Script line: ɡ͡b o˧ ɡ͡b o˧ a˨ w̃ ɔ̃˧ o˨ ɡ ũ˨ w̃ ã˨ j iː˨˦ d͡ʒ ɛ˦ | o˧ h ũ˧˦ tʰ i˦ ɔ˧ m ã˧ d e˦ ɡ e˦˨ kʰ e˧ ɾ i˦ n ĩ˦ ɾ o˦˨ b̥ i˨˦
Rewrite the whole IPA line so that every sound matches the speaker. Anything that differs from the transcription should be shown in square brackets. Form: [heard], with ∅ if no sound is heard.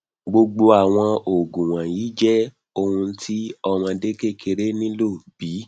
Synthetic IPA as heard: ɡ͡b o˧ ɡ͡b o˧ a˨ w̃ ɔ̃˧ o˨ ɡ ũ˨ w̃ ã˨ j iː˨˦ d͡ʒ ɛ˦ | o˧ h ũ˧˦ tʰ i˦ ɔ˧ m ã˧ d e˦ [k] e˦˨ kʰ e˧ ɾ [e˦] n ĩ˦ [l] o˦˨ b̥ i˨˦